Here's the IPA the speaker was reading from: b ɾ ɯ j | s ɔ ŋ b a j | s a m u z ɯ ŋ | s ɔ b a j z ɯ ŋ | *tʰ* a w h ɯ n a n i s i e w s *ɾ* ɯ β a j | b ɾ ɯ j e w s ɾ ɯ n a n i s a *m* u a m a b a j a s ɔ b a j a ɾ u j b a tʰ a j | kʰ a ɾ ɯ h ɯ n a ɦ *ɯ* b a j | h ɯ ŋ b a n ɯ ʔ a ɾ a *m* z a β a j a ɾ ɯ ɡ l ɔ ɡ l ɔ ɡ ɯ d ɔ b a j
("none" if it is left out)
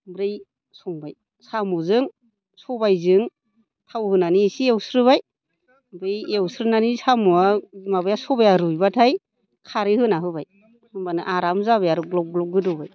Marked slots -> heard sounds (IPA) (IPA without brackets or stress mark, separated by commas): tʰ, ɾ, m, ɯ, m